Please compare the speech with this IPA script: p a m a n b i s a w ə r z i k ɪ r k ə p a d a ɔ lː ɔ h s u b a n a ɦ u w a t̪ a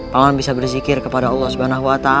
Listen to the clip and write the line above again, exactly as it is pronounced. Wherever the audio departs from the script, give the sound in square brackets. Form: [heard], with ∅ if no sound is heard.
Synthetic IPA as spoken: p a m a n b i s a [b] ə r z i k ɪ r k ə p a d a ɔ lː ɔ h s u b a n a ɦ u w a t̪ a